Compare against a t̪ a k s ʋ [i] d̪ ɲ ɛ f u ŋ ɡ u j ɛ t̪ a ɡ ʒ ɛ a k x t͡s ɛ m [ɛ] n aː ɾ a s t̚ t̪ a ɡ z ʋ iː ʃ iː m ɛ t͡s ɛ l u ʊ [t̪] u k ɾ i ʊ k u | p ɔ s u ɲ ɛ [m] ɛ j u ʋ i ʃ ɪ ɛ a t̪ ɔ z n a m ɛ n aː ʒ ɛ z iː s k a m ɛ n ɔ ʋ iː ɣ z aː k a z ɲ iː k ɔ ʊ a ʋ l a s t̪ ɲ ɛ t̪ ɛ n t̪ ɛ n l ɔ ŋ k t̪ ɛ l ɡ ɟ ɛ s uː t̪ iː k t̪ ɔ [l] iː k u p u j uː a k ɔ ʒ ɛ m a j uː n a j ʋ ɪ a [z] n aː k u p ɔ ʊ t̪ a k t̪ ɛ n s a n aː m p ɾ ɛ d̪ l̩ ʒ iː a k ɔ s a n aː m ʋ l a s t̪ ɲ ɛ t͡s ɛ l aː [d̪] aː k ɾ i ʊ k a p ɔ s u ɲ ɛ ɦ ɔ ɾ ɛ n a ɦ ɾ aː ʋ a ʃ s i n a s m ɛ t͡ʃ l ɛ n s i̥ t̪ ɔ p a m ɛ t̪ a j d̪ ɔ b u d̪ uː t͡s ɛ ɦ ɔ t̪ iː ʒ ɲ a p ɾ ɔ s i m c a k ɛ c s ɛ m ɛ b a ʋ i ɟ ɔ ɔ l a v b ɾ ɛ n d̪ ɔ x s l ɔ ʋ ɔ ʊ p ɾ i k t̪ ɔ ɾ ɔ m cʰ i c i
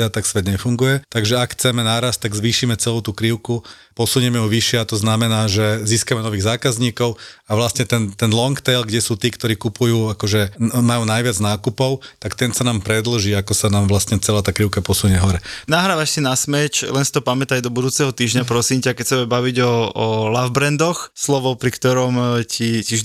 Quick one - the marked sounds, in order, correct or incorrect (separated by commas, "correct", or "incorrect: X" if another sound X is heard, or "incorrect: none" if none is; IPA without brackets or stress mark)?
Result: incorrect: ɛ, correct, correct, correct, incorrect: ɾ, incorrect: d͡z, incorrect: t̪